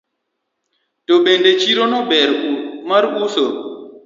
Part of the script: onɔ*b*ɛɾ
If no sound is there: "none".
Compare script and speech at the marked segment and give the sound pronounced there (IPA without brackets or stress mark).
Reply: b